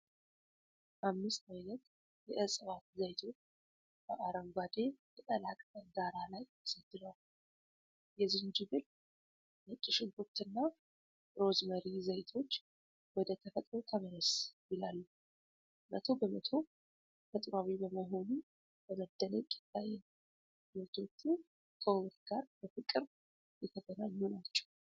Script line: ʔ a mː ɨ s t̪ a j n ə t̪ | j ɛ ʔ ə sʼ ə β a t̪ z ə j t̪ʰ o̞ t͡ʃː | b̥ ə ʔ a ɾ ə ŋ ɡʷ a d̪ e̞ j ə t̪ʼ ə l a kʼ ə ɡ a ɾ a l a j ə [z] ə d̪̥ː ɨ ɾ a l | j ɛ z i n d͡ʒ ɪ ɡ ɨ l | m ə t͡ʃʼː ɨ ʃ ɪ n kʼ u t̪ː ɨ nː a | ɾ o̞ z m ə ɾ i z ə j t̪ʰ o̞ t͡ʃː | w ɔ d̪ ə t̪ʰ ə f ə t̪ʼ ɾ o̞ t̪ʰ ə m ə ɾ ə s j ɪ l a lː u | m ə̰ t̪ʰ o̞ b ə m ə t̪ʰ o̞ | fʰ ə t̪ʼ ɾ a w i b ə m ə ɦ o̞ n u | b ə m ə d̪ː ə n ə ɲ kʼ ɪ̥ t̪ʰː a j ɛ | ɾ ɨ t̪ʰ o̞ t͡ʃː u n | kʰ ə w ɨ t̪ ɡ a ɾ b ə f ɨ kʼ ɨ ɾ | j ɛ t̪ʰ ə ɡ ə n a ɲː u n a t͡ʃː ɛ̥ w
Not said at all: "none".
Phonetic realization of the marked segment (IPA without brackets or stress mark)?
s